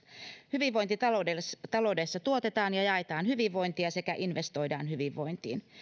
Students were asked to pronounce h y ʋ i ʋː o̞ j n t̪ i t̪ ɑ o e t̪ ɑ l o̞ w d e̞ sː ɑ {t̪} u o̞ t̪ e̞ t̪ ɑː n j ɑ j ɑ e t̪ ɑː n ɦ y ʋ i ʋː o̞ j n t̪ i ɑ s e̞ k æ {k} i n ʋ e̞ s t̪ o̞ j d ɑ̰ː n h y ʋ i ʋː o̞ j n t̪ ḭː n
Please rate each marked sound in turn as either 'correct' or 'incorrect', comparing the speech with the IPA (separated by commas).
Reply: correct, incorrect